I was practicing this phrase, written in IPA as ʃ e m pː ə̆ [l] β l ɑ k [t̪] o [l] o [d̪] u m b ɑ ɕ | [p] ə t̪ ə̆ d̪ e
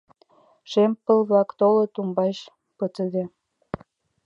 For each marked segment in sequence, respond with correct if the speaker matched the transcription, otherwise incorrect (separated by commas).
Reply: correct, correct, correct, incorrect, correct